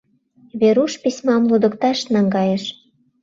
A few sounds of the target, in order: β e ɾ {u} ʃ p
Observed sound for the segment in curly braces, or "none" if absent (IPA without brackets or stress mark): u